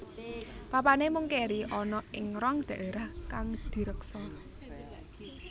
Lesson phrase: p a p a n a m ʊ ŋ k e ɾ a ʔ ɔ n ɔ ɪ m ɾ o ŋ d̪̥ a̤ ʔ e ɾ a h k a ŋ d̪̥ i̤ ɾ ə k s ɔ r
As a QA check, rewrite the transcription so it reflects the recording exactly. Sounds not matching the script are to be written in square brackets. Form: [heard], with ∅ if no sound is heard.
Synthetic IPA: p a p a n [e] m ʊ ŋ k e ɾ [i] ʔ ɔ n ɔ ɪ [ŋ] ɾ [ɔ] ŋ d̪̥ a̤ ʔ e ɾ a h k a ŋ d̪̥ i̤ ɾ ə k s ɔ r